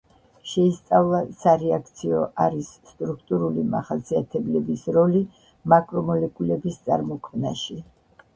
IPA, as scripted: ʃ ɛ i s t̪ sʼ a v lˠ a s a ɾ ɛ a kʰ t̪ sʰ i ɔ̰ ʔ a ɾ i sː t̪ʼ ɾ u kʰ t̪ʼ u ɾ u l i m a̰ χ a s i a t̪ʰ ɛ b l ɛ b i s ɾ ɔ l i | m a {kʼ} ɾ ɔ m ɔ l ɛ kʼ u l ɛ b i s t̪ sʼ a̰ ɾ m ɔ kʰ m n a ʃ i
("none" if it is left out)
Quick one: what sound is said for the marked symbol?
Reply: kʼ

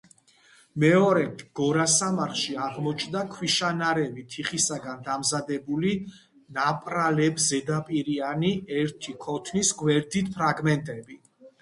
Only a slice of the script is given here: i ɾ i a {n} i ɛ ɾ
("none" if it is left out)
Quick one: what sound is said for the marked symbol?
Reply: n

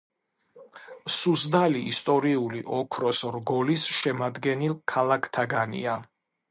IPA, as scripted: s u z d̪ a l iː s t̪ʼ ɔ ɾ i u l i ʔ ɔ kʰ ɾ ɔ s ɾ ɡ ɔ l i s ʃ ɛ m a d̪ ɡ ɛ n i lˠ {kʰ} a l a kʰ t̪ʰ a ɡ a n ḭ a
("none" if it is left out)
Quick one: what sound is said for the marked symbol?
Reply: kʰ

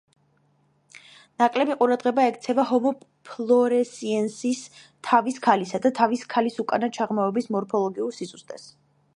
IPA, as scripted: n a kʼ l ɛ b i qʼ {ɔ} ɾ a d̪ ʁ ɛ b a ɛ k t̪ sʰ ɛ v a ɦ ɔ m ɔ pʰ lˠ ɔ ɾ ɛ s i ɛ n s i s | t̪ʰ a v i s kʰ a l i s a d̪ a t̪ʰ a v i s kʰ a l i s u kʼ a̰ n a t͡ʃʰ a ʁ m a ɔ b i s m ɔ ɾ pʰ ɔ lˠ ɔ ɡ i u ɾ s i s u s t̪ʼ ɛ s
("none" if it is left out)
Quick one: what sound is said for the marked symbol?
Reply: u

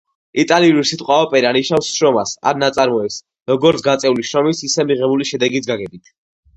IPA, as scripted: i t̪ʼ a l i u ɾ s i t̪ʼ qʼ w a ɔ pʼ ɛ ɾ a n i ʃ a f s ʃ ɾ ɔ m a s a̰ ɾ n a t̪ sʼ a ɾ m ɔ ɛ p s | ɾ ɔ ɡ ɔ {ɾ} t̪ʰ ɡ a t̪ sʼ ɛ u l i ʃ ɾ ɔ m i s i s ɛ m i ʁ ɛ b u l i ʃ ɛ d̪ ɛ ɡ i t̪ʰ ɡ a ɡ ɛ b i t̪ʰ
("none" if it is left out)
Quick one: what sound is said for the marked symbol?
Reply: ɾ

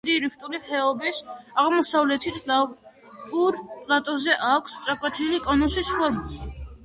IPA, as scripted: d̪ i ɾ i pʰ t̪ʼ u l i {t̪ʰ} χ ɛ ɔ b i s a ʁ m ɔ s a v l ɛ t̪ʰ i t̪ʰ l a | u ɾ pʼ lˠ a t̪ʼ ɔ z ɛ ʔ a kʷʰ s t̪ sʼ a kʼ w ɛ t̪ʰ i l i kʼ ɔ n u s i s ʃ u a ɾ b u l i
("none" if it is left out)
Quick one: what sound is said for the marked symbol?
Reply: none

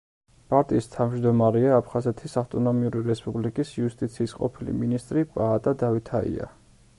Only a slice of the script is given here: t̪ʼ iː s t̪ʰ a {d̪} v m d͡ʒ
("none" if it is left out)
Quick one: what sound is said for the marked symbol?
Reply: none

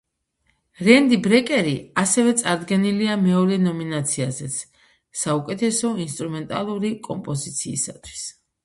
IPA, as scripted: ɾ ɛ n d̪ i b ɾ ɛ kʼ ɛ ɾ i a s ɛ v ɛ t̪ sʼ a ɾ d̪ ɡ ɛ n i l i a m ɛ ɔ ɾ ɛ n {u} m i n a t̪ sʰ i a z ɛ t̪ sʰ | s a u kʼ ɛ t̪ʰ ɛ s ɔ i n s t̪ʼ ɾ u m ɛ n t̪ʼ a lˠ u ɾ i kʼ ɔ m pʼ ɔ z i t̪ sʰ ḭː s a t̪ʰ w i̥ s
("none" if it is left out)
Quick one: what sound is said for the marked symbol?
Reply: ɔ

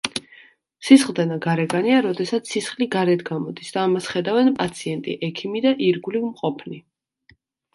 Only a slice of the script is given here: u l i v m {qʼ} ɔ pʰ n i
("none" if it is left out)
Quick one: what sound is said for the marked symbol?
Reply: qʼ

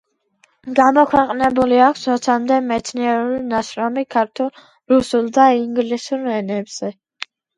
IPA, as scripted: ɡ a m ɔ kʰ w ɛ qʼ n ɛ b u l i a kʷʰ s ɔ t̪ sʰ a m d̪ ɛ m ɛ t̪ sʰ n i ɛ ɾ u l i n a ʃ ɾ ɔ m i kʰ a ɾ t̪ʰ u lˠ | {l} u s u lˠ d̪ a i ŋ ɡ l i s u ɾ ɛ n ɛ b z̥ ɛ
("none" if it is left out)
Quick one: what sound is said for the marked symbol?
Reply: ɾ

